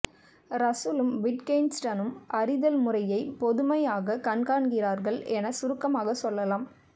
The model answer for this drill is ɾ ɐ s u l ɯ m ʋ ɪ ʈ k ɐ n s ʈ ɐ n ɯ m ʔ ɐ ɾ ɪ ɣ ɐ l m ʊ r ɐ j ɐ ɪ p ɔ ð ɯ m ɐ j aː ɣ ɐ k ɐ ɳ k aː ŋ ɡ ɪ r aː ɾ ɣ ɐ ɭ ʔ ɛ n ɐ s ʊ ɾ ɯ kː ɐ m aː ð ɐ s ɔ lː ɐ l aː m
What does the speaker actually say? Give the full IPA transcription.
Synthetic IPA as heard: ɾ ɐ s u l ɯ m ʋ ɪ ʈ k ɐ n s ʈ ɐ n ɯ m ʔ ɐ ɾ ɪ ð ɐ l m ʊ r ɐ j ɐ ɪ p ɔ ð ɯ m ɐ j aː ɣ ɐ k ɐ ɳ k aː ɳ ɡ ɪ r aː ɾ ɣ ɐ ɭ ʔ ɛ n ɐ s ʊ ɾ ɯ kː ɐ m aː ɣ ɐ s ɔ lː ɐ l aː m